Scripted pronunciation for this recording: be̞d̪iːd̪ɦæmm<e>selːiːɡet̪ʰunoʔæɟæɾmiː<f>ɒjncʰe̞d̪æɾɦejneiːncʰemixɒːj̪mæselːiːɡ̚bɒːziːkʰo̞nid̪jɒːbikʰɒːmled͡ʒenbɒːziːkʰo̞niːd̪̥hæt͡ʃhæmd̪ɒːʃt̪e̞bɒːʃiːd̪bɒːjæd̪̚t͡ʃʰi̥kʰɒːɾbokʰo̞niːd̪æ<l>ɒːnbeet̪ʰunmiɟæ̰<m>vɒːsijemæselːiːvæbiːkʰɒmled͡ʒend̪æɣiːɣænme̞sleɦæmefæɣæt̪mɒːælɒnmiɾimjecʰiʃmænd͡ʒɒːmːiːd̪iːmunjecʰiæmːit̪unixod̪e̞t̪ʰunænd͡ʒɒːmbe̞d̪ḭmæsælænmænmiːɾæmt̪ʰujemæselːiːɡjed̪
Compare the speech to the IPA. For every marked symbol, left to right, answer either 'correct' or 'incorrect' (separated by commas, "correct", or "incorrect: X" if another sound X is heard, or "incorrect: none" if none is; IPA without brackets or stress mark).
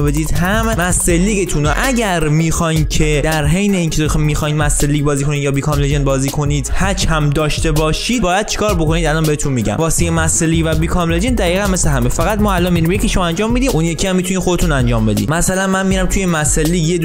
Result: incorrect: æ, incorrect: x, correct, correct